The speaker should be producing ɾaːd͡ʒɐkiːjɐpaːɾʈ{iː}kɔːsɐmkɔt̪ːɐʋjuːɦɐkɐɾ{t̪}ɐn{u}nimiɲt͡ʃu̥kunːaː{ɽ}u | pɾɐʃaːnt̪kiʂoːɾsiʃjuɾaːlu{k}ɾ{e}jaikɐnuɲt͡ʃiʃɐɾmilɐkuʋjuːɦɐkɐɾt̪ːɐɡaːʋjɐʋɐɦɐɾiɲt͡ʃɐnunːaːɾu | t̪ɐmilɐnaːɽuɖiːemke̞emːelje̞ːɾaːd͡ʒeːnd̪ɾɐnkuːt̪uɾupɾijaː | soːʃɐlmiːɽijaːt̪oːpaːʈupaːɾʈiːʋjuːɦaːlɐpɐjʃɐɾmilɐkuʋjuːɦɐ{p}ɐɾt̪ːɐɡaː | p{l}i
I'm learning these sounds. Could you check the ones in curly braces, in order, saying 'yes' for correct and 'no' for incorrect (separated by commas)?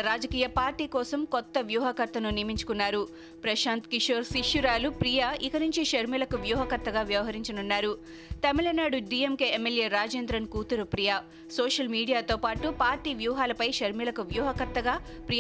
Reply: yes, yes, yes, no, no, no, no, no